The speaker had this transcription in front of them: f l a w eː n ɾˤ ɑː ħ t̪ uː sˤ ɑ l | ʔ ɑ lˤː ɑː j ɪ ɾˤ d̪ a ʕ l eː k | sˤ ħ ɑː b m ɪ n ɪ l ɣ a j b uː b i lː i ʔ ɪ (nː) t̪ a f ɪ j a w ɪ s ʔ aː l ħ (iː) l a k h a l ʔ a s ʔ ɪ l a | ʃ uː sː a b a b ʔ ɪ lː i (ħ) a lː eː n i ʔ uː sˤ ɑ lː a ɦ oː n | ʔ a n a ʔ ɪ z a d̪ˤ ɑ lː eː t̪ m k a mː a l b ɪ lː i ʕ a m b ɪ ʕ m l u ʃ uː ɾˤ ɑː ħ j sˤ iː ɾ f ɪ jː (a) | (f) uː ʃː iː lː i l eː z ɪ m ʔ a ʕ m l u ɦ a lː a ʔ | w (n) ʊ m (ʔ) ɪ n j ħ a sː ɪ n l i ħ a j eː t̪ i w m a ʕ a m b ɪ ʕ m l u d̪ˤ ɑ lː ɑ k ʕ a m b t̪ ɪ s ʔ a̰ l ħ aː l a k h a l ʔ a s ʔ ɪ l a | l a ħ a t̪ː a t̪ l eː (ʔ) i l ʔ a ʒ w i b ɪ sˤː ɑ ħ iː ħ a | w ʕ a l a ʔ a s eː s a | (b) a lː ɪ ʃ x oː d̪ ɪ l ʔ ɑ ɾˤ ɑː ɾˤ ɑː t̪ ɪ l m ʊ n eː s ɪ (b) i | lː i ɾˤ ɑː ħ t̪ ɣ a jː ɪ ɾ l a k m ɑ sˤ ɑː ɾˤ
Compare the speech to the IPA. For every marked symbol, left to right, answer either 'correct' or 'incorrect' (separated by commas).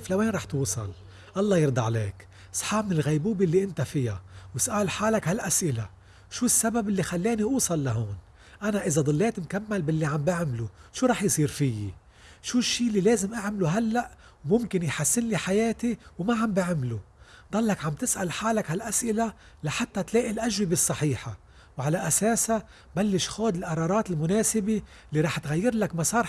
incorrect, incorrect, incorrect, incorrect, incorrect, incorrect, incorrect, correct, correct, correct